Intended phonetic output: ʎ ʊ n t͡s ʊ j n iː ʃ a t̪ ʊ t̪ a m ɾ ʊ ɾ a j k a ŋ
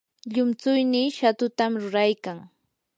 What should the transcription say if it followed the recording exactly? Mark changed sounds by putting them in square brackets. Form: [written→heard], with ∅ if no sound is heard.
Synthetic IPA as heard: ʎ ʊ [n→m] t͡s ʊ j n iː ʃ a t̪ ʊ t̪ a m ɾ ʊ ɾ a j k a ŋ